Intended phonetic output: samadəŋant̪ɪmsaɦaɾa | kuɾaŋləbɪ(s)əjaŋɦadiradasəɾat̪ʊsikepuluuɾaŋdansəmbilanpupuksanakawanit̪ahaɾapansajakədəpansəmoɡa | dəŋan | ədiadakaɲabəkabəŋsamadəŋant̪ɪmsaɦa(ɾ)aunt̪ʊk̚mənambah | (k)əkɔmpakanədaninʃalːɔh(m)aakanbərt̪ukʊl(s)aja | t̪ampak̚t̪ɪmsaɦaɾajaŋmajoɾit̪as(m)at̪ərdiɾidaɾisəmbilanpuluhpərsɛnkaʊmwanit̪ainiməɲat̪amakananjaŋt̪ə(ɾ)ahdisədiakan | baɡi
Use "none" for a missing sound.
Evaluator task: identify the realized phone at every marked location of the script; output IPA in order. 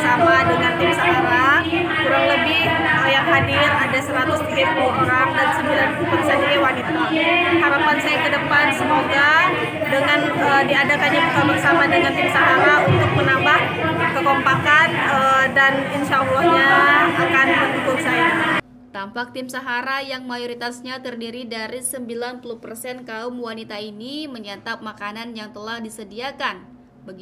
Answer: h, ɾ, k, ɲ, s, ɲ, l

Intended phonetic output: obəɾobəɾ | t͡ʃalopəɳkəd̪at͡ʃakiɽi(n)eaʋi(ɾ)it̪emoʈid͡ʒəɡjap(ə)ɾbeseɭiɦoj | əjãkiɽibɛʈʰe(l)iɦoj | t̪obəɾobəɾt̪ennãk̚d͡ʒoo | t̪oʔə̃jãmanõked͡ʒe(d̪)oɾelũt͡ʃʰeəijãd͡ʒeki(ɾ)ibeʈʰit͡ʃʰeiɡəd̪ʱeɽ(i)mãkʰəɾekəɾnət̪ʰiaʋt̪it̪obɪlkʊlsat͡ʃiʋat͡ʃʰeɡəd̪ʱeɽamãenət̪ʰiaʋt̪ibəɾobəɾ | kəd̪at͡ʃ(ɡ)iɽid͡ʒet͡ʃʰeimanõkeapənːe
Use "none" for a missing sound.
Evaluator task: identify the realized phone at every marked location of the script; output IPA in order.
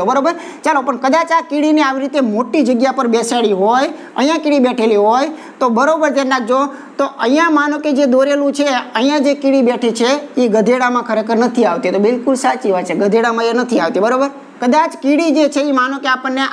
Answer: n, ɾ, ə, l, d̪, ɽ, a, k

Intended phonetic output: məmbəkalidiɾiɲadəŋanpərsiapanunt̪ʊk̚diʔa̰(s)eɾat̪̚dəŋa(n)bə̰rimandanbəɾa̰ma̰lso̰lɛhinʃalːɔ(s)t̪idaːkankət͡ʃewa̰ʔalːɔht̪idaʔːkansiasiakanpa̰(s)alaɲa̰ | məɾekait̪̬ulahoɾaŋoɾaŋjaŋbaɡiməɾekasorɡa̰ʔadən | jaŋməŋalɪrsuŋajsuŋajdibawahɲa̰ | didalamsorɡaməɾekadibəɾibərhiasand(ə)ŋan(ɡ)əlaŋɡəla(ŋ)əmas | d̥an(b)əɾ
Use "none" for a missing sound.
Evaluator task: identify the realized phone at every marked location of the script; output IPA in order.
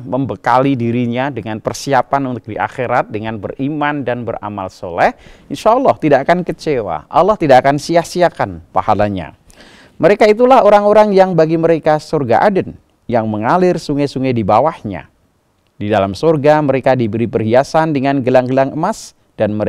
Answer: x, n, h, h, ə, ɡ, ŋ, m

